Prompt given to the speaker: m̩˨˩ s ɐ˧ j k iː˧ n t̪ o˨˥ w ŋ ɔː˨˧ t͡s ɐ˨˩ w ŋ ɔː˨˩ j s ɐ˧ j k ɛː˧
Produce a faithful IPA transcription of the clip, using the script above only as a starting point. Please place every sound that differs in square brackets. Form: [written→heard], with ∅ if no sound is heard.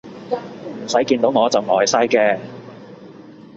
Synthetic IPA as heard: m̩˨˩ s [ɐ˧→ɐ˨˥] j k iː˧ n t̪ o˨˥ w ŋ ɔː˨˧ t͡s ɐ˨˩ w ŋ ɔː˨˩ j s [ɐ˧→ɐ˥] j k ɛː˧